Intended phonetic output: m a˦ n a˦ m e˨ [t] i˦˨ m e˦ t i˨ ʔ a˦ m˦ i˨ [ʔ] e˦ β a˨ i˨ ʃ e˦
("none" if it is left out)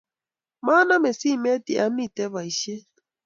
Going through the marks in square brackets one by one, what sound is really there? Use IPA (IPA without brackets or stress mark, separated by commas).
s, t